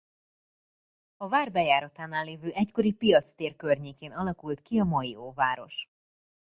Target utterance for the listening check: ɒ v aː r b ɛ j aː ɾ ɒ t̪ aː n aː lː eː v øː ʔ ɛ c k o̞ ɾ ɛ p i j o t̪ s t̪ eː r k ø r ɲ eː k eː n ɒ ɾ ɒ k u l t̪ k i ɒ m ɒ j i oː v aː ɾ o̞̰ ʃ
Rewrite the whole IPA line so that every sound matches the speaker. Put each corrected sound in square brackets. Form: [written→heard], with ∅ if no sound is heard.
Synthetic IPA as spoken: ɒ v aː r b ɛ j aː ɾ ɒ t̪ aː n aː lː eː v øː ʔ ɛ c k o̞ ɾ [ɛ→i] p i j [o→ɒ] t̪ s t̪ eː r k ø r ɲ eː k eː n ɒ [ɾ→l] ɒ k u l t̪ k i ɒ m ɒ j i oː v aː ɾ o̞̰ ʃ